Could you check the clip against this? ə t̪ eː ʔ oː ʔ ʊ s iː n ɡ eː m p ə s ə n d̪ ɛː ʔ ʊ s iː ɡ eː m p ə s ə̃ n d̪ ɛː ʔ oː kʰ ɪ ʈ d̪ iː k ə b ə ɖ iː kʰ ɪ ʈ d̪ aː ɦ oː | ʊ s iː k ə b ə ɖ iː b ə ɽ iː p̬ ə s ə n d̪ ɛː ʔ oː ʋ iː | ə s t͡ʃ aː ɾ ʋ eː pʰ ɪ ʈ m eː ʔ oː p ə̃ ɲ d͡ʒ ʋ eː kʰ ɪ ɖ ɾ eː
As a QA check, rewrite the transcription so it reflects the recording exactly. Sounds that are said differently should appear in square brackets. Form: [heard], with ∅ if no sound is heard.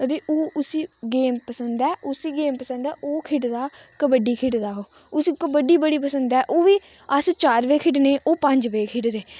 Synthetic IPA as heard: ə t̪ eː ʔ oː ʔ ʊ s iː [∅] ɡ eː m p ə s ə n d̪ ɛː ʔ ʊ s iː ɡ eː m p ə s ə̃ n d̪ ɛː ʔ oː kʰ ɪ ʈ d̪ [aː] k ə b ə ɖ iː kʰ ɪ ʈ d̪ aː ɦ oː | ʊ s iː k ə b ə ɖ iː b ə ɽ iː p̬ ə s ə n d̪ ɛː ʔ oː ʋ iː | ə s t͡ʃ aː ɾ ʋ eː [kʰ] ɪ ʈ [n] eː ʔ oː p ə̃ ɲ d͡ʒ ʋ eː kʰ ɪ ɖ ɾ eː